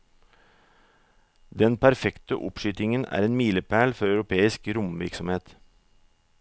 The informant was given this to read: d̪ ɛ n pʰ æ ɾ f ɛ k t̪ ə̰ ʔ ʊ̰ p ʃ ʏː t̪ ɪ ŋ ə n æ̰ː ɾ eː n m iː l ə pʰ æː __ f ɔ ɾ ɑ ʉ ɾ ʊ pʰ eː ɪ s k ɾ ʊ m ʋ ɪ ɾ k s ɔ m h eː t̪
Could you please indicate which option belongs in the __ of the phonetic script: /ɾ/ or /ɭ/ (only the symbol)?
ɭ